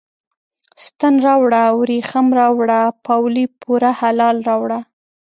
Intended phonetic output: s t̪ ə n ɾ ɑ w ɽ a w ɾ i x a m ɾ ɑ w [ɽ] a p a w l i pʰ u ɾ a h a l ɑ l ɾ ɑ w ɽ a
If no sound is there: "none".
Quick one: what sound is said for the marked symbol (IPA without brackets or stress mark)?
ɽ